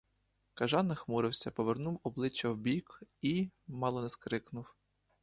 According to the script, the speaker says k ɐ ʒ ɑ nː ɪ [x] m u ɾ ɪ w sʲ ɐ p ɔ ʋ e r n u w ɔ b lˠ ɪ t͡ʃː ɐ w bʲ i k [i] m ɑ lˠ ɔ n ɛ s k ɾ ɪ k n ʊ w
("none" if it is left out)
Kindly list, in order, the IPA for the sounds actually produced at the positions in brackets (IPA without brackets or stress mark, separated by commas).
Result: x, i